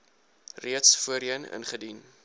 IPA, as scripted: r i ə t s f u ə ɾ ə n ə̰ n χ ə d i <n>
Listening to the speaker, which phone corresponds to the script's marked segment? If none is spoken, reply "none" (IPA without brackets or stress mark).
n